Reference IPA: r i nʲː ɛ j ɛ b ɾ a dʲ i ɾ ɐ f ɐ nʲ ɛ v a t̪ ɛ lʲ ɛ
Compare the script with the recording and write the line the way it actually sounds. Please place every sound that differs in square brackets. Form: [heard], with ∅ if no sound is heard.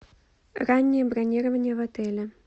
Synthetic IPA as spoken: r [a] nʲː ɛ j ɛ b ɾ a [nʲ] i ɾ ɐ [v] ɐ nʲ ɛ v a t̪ ɛ lʲ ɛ